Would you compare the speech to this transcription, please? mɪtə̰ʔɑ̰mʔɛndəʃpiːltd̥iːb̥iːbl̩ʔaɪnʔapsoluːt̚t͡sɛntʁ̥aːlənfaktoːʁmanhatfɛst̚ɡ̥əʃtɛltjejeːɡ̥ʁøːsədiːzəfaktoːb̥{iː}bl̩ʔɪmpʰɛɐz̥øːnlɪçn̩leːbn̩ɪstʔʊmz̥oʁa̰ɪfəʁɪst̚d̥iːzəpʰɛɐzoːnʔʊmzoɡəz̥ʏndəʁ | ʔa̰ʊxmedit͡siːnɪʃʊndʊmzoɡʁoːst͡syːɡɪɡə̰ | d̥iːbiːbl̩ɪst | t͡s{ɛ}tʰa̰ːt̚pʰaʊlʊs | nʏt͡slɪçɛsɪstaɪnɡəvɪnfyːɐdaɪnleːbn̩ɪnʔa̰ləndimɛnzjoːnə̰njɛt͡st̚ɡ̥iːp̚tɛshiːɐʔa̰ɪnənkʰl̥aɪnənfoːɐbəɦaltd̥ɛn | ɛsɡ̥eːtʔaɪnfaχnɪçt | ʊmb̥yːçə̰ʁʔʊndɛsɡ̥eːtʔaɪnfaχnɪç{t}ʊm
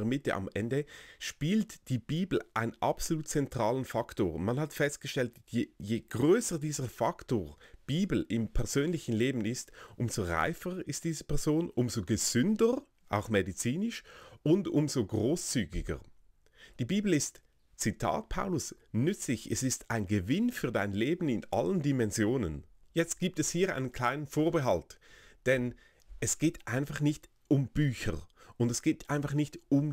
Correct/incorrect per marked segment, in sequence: correct, incorrect: i, correct

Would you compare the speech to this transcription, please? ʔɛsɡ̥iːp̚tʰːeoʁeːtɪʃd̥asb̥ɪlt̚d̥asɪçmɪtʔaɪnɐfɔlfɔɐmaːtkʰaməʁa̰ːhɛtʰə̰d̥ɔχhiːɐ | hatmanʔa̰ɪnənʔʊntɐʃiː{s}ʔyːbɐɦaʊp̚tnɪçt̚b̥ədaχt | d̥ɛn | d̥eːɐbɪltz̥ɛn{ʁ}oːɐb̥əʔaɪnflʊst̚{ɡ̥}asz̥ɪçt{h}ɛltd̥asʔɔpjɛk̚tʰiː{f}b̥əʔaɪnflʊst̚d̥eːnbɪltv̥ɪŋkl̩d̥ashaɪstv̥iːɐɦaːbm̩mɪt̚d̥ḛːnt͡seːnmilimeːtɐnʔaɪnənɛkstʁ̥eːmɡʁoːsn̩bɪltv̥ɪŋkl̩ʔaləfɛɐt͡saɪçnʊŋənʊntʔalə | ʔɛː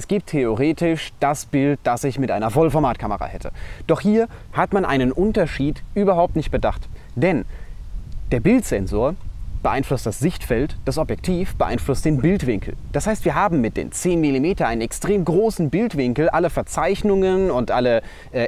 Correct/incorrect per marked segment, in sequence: incorrect: t, incorrect: z, incorrect: d̥, incorrect: f, correct

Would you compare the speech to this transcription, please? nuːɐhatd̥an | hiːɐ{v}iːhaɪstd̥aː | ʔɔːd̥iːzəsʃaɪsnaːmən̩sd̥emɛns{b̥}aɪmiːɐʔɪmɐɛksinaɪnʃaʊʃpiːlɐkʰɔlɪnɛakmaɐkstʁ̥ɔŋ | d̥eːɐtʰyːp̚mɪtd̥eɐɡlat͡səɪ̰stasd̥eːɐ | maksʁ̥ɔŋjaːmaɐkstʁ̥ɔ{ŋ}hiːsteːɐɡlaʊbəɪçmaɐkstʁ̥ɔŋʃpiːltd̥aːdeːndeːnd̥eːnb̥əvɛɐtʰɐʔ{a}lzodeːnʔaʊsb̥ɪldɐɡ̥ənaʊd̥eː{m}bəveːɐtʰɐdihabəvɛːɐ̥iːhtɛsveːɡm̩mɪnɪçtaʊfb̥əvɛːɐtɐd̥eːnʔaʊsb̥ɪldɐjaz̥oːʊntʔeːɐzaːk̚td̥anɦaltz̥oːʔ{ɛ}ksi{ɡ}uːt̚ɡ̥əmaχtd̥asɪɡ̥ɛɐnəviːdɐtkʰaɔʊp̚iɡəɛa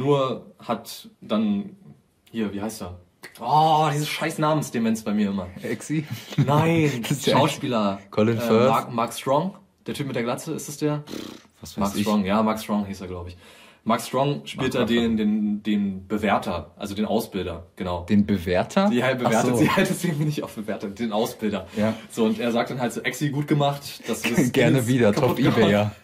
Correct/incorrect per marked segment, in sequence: correct, correct, correct, correct, incorrect: n, correct, correct

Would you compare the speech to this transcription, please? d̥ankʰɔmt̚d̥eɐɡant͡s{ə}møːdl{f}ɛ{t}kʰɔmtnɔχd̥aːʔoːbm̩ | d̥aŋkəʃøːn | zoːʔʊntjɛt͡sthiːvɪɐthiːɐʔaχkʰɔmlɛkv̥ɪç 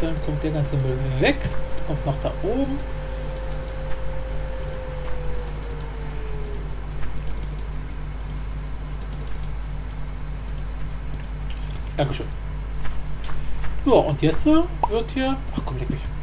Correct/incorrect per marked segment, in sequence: correct, incorrect: v, incorrect: k

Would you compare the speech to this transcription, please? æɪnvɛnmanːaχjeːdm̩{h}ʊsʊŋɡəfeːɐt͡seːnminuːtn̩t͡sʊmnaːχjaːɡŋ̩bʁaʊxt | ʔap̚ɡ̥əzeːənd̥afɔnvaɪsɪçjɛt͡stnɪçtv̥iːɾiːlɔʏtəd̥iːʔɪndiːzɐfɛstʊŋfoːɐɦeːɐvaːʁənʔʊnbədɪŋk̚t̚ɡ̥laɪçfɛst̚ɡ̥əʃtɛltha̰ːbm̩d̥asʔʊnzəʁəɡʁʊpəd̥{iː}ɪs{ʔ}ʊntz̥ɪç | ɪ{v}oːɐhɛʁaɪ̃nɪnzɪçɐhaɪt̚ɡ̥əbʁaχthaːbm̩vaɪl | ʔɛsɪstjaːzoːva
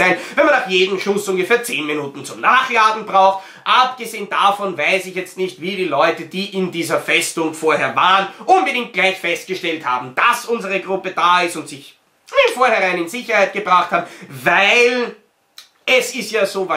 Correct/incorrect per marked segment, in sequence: incorrect: ʃ, incorrect: aː, incorrect: t, incorrect: f

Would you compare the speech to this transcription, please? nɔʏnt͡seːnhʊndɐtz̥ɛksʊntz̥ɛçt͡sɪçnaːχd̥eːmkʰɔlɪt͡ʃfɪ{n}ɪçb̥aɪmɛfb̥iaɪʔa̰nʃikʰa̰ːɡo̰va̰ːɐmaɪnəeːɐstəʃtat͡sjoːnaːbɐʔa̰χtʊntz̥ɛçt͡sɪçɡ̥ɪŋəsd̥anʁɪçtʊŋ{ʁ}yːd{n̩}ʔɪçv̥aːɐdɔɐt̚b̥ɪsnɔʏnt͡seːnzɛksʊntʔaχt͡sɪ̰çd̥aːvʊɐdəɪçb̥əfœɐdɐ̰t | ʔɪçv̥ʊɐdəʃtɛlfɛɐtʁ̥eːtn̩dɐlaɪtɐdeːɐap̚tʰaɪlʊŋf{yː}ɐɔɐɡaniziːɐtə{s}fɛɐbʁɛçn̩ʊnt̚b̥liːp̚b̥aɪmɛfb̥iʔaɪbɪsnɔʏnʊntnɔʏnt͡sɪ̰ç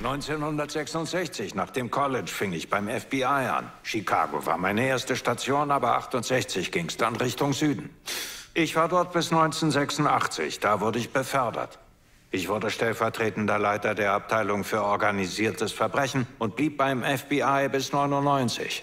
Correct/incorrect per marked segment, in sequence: incorrect: ŋ, incorrect: z, correct, correct, correct

